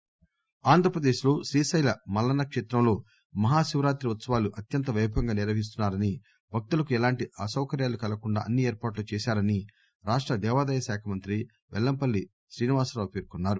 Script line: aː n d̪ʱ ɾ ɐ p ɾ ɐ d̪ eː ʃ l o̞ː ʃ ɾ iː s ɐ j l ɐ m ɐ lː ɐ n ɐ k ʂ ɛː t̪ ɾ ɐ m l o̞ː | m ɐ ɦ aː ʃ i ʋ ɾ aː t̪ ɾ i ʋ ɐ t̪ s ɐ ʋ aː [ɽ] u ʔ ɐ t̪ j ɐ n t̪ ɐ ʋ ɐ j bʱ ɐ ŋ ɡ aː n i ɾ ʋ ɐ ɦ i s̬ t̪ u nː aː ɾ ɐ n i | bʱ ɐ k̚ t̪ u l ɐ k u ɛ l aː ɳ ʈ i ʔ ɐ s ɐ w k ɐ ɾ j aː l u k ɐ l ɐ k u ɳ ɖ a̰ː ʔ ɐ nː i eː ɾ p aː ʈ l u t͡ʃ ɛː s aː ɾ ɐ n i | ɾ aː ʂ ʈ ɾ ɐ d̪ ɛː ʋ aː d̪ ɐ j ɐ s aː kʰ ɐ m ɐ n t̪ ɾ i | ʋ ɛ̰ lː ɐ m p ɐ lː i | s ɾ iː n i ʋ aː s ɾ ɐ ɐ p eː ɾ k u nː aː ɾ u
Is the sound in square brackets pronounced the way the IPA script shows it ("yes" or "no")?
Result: no